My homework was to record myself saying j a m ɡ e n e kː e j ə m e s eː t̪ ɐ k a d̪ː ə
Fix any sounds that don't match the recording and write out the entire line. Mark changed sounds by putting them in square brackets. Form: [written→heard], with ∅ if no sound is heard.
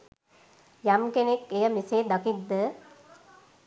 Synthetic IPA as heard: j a m [ɡ→k] e n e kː e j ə m [e→i] s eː [t̪→d̪] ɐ k [a→i] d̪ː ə